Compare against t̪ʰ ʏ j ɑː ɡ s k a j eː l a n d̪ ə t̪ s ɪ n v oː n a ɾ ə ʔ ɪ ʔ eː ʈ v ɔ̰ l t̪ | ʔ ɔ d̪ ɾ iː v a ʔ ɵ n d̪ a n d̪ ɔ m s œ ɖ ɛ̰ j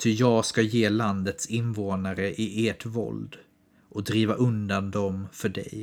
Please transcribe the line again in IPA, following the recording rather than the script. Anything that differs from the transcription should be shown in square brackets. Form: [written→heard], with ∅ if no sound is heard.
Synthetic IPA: t̪ʰ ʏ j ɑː ɡ s k a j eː l a n d̪ ə t̪ s ɪ n v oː n a ɾ ə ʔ ɪ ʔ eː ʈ v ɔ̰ l [t̪→d̪] | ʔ ɔ d̪ ɾ iː v a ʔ ɵ n d̪ a n d̪ ɔ m [s→f] œ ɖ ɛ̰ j